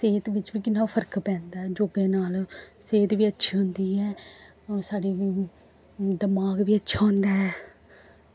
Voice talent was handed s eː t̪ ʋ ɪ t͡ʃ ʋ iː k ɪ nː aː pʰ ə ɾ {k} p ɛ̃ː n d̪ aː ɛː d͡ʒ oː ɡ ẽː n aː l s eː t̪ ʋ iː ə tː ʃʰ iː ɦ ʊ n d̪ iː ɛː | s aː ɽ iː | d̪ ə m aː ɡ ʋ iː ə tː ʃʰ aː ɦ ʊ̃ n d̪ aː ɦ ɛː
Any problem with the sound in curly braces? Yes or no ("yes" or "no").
no